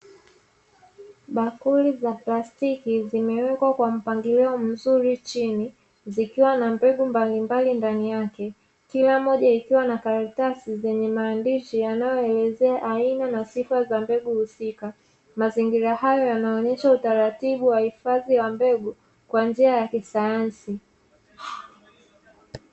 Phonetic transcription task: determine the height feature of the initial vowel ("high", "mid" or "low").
low